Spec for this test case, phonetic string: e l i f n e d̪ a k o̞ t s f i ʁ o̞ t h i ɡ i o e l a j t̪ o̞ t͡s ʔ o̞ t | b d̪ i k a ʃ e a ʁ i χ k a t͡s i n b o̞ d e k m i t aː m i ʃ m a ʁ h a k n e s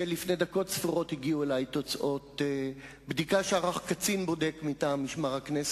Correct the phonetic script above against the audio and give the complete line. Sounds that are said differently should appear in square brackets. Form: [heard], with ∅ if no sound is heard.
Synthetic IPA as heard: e l i f n e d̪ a k o̞ t s f i ʁ o̞ t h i ɡ i [u] e l a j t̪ o̞ t͡s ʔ o̞ t | b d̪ i k a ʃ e a ʁ [a] χ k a t͡s i n b o̞ d e k m i t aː m i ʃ m a ʁ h a k n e s